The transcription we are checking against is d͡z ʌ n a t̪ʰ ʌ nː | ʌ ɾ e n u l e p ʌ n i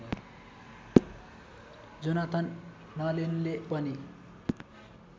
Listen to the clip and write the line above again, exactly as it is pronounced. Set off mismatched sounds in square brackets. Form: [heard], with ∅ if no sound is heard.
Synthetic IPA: d͡z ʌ n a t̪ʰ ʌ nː | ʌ [l] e n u l e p ʌ n i